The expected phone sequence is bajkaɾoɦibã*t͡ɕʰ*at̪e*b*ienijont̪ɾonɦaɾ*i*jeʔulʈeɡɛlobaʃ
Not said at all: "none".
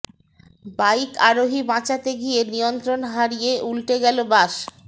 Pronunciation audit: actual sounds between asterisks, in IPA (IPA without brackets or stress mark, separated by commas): t͡ɕ, ɡ, i